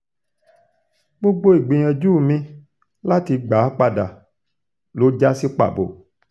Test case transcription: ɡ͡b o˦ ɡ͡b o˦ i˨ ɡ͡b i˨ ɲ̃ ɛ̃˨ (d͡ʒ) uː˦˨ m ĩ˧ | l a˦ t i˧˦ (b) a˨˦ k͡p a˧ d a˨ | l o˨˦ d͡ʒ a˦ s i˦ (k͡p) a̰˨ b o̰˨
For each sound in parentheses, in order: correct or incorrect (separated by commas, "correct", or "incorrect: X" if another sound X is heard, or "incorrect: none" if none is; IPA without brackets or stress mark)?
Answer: correct, incorrect: ɡ͡b, correct